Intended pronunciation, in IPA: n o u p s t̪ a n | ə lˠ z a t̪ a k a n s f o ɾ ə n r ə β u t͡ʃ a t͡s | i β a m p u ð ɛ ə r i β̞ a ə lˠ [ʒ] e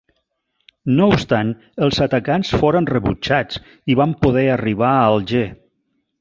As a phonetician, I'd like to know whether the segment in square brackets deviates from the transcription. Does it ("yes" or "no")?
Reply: no